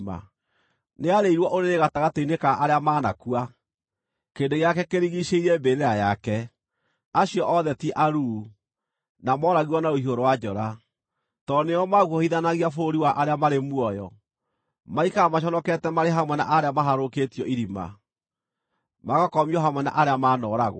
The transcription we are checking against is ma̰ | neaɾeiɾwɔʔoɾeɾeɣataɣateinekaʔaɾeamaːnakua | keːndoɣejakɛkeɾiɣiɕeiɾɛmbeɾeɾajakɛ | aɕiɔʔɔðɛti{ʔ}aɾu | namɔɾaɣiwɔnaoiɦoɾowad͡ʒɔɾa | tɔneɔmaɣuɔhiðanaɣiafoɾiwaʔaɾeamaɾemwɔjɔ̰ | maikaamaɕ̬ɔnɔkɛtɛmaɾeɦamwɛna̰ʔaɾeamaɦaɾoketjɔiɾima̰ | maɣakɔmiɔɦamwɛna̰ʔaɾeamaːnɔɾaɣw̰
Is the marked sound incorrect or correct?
correct